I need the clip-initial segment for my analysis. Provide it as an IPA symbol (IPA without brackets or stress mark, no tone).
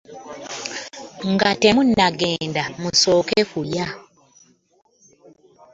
ŋ